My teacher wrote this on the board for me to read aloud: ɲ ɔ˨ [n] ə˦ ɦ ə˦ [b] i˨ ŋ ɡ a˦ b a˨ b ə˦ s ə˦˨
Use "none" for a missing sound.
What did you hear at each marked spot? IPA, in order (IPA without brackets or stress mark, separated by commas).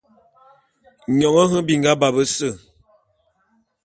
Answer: ŋ, b